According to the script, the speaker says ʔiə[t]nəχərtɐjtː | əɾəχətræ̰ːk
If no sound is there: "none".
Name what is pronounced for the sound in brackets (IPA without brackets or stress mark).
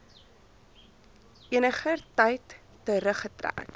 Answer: none